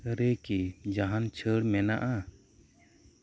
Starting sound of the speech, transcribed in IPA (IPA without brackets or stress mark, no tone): ɾ